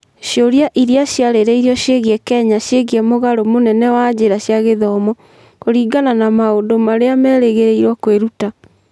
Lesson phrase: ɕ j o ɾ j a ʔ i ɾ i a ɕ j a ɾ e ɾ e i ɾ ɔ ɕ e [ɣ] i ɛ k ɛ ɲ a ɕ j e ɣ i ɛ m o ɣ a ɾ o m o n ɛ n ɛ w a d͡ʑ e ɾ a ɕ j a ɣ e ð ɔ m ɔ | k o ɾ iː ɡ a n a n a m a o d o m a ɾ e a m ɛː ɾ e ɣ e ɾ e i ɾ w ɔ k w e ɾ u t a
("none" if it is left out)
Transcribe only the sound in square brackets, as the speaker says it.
ɣ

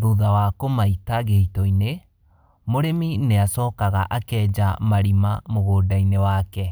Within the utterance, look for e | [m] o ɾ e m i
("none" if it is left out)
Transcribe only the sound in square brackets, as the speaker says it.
m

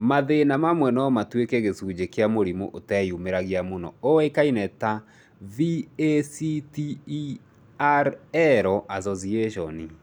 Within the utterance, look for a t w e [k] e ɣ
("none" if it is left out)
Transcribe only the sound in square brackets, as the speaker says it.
k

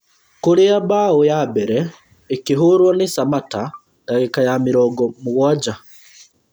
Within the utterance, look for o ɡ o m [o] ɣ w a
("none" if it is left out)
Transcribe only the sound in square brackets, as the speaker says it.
u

